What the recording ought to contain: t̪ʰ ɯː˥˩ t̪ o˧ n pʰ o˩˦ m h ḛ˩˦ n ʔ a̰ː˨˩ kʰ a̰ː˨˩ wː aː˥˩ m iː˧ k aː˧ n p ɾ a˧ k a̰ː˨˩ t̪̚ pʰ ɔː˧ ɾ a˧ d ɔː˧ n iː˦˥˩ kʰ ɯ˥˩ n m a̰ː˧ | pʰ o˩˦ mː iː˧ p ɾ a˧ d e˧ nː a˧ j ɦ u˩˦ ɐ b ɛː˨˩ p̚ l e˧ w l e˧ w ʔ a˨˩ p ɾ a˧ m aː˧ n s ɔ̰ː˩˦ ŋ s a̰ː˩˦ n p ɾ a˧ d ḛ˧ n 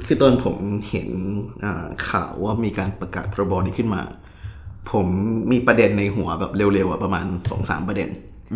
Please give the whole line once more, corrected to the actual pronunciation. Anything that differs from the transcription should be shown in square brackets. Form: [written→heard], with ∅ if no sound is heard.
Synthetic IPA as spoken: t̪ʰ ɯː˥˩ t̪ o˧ n pʰ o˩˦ m h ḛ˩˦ n ʔ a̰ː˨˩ kʰ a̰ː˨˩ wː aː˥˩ m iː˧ k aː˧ n p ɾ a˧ k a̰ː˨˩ t̪̚ pʰ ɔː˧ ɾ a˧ [d→b] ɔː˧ n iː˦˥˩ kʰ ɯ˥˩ n m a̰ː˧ | pʰ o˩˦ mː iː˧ p ɾ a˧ d e˧ nː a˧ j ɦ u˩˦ ɐ b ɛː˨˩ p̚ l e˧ w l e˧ w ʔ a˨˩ p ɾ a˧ m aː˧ n s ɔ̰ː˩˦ ŋ s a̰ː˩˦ [n→m] p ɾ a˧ d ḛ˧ n